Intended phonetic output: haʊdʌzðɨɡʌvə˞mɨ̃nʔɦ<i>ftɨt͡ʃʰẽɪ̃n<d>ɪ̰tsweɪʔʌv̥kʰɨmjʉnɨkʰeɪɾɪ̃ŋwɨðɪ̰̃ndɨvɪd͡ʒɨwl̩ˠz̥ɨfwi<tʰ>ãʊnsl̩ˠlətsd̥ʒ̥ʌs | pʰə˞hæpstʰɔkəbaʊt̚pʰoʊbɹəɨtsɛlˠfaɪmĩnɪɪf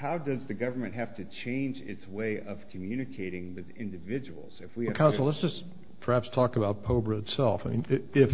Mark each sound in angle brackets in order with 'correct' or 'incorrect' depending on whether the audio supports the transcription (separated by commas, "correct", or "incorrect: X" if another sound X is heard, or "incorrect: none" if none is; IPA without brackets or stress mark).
incorrect: æ, incorrect: d͡ʒ, incorrect: kʰ